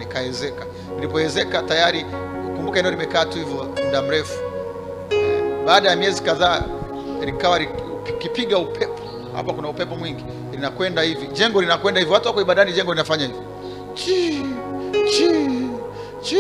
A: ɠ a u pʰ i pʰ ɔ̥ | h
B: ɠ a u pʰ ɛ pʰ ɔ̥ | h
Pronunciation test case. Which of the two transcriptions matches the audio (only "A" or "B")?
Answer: B